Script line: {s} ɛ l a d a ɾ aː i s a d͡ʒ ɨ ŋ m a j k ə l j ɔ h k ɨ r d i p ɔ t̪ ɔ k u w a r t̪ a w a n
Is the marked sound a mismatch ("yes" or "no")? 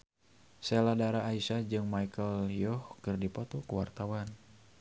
no